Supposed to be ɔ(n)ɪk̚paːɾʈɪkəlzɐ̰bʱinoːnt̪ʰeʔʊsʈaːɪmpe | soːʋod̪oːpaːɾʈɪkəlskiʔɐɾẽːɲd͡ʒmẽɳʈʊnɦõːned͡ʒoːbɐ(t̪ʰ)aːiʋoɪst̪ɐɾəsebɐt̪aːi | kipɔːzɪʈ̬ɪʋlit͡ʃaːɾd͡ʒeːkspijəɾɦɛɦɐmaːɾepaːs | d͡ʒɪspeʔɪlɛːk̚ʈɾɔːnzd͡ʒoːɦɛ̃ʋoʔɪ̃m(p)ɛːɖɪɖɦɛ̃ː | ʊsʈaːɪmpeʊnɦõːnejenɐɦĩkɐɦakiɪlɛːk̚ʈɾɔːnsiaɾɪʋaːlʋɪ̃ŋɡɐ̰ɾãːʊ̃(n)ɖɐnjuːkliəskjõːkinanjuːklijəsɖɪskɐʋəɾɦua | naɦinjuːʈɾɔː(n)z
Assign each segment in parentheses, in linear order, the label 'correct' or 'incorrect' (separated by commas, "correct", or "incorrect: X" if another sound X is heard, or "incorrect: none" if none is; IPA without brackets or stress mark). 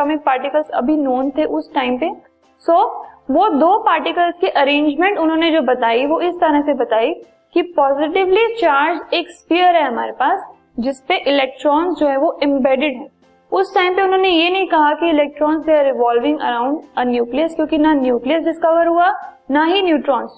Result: incorrect: m, incorrect: t̪, incorrect: b, incorrect: ɳ, correct